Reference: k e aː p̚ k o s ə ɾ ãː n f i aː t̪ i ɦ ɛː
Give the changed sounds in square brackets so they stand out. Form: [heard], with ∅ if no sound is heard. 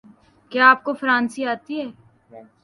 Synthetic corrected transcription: k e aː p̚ k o [f] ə ɾ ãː n [s] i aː t̪ i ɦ ɛː